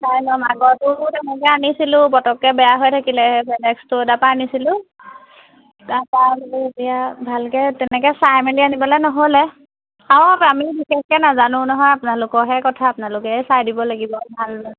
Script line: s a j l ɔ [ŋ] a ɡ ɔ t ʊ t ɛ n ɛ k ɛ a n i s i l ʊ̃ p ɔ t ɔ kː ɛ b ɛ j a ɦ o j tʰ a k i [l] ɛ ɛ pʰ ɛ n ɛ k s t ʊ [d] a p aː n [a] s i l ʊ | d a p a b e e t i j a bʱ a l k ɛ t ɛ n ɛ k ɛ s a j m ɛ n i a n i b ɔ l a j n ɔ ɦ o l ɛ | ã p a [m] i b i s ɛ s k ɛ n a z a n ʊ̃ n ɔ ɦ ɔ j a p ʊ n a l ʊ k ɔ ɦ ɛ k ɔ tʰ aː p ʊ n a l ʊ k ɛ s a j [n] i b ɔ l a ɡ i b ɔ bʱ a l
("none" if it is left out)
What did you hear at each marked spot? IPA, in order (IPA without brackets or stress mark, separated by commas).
m, l, d, i, m, d